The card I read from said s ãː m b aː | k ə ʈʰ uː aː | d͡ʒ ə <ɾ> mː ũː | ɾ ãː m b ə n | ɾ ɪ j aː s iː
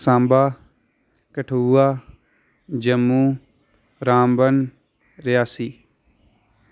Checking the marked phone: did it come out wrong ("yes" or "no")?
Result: yes